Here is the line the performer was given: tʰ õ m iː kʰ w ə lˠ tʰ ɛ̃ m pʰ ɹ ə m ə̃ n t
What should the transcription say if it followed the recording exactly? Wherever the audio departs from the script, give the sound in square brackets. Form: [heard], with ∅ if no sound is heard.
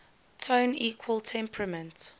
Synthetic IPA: tʰ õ [n] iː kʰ w ə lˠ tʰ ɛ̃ m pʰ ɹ ə m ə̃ n t